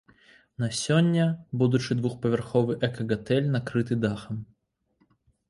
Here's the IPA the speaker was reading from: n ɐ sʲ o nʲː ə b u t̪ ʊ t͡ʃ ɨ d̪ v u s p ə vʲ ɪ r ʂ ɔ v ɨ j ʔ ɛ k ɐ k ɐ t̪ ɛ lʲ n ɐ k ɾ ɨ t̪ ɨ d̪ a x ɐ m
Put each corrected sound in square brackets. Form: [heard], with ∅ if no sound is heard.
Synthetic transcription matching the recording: n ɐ sʲ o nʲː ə b u [d̪] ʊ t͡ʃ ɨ d̪ v u [x] p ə vʲ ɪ r [x] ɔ v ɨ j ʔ ɛ k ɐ [ɡ] ɐ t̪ ɛ lʲ n ɐ k ɾ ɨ t̪ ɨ d̪ a x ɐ m